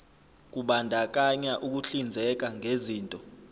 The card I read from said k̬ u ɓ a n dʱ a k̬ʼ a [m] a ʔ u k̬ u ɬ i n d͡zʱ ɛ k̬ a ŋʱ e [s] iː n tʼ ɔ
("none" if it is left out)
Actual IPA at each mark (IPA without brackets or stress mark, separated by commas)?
ɲ, z